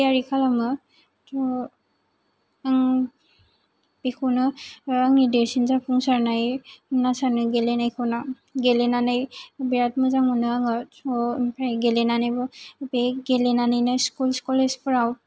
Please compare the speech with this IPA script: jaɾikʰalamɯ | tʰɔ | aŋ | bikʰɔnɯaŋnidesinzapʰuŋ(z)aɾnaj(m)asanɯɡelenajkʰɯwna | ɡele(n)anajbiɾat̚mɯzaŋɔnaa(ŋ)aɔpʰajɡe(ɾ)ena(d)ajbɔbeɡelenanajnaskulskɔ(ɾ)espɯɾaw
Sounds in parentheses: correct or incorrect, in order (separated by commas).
incorrect, incorrect, correct, correct, incorrect, incorrect, incorrect